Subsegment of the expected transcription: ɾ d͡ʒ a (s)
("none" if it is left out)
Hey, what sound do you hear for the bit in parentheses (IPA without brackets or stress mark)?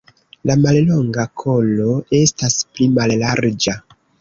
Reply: none